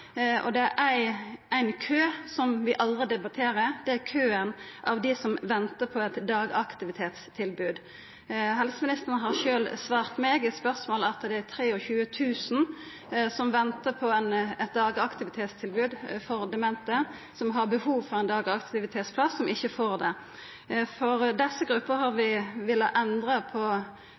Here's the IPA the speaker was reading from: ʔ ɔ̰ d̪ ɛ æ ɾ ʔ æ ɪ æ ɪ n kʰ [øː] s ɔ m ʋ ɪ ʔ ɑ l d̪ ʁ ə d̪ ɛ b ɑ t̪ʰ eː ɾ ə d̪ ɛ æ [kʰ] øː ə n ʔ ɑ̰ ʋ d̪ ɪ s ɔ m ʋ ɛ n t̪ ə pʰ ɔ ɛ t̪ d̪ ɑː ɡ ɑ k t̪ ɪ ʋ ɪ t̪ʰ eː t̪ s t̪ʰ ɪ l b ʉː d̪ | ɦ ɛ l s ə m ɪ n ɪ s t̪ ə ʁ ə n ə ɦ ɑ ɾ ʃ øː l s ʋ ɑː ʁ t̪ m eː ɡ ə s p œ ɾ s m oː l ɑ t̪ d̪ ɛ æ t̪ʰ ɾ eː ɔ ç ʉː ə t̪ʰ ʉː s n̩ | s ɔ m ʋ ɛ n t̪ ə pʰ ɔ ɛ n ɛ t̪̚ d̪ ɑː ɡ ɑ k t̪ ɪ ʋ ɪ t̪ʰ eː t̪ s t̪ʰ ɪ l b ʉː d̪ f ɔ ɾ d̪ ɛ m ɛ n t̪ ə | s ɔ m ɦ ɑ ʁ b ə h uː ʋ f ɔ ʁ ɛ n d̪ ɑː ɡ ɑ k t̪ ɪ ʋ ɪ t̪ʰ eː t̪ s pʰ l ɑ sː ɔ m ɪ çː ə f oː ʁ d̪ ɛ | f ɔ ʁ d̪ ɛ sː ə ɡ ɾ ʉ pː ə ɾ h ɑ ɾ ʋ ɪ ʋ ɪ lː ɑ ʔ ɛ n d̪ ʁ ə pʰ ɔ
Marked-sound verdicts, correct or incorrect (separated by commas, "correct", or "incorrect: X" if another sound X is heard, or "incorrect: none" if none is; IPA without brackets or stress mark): correct, correct